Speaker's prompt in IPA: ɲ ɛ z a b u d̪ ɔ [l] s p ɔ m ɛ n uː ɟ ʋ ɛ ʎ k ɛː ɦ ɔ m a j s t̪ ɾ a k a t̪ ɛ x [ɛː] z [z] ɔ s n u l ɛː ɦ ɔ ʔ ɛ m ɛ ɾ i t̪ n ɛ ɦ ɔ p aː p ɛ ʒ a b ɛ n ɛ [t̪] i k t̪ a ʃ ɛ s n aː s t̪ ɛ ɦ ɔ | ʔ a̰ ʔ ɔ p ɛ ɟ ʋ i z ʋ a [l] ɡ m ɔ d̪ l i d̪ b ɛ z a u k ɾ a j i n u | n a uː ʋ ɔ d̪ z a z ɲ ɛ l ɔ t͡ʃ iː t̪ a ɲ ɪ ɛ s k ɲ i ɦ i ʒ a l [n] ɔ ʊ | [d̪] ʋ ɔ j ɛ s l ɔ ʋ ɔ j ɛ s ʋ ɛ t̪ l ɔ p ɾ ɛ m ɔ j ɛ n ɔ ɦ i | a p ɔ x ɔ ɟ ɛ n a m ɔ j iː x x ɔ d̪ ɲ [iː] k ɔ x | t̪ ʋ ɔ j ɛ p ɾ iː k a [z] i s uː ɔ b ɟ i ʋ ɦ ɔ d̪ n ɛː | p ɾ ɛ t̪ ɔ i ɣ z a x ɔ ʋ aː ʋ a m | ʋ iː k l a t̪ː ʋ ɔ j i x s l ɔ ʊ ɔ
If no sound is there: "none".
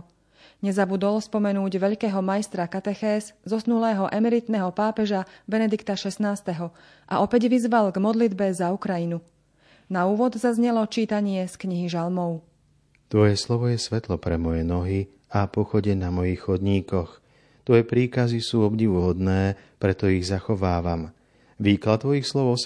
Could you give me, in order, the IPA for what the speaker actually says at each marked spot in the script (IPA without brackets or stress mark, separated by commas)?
l, ɛː, z, d̪, l, m, t̪, iː, z